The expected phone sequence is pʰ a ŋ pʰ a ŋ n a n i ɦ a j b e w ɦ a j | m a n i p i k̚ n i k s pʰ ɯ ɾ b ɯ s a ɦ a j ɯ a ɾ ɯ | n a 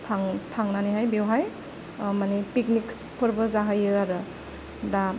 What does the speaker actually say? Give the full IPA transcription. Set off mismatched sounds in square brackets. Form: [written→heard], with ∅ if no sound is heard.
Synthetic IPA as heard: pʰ a ŋ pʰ a ŋ n a n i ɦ a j b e w ɦ a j | m a n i p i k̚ n i k s pʰ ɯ ɾ b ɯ [s→z] a ɦ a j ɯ a ɾ ɯ | [n→d] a